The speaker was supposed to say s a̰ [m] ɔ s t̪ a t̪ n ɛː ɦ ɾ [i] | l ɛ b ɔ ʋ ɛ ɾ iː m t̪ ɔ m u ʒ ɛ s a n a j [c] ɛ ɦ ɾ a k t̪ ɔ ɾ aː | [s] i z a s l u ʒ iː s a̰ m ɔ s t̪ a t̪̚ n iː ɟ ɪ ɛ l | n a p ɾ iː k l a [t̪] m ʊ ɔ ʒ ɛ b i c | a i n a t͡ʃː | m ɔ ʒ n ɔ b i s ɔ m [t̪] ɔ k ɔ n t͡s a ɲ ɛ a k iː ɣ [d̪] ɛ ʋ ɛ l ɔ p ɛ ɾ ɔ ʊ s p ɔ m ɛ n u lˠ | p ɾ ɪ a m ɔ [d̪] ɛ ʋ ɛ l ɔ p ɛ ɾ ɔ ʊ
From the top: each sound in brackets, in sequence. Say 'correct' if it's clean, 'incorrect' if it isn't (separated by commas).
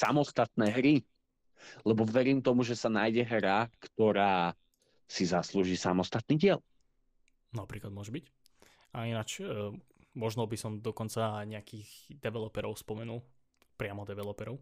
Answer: correct, correct, incorrect, correct, incorrect, incorrect, correct, correct